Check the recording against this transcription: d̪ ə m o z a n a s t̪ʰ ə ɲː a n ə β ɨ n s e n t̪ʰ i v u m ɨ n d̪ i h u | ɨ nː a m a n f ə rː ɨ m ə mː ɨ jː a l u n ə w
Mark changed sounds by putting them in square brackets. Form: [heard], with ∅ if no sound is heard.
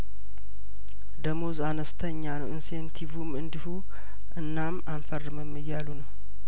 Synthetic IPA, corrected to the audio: d̪ ə m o z a n [ə] s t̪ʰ ə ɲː a n ə [w] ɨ n s e n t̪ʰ i v u m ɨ n d̪ i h u | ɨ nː a m a n f ə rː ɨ m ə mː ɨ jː a l u n ə w